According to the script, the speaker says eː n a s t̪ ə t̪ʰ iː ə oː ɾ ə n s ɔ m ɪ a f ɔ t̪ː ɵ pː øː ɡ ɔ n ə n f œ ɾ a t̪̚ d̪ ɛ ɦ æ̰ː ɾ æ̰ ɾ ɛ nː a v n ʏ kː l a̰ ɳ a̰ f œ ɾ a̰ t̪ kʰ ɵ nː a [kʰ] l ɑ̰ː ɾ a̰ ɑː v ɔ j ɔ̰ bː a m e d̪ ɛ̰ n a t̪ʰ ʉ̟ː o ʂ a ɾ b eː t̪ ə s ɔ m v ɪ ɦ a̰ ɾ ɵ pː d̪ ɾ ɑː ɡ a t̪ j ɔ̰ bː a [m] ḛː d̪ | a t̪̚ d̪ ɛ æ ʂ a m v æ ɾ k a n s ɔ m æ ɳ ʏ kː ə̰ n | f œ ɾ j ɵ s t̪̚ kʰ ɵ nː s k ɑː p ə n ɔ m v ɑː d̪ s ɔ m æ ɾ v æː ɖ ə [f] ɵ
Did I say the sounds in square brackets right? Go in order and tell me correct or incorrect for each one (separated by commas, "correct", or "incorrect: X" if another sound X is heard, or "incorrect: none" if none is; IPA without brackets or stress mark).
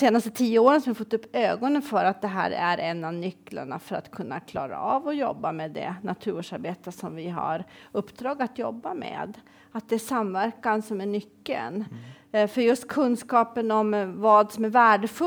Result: correct, correct, correct